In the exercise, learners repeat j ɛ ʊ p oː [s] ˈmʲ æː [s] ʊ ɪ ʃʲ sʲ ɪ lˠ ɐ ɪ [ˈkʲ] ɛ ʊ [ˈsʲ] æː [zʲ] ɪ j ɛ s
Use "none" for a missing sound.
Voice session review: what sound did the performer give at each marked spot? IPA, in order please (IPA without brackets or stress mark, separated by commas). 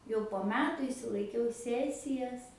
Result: none, t, kʲ, sʲ, sʲ